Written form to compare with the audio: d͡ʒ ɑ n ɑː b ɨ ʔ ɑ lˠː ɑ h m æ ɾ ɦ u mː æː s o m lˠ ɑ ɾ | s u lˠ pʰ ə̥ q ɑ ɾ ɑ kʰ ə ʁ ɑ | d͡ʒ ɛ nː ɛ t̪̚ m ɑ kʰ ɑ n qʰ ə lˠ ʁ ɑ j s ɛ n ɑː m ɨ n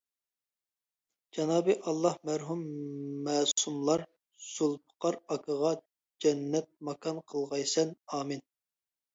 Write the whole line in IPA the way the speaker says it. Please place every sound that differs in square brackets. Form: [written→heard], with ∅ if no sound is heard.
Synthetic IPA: d͡ʒ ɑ n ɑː b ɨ ʔ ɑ lˠː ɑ h m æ ɾ ɦ u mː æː s [o→u] m lˠ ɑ ɾ | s u lˠ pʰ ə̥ q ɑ ɾ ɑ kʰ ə ʁ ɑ | d͡ʒ ɛ nː ɛ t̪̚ m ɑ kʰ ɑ n qʰ ə lˠ ʁ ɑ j s ɛ n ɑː m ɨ n